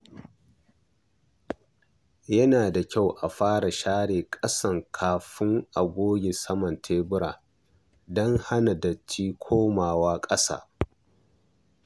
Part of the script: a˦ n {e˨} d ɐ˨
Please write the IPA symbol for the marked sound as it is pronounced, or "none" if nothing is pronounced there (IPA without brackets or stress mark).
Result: a˨